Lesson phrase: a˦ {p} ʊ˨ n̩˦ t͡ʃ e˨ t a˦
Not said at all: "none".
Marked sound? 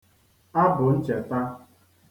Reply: b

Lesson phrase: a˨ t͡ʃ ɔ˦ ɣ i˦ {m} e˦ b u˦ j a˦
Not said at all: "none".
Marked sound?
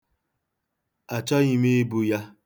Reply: m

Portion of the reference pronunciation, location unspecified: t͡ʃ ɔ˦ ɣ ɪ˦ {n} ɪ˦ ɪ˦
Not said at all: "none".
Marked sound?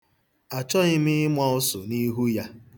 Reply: m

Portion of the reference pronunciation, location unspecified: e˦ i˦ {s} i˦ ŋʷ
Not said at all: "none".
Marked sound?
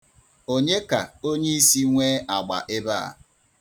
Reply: s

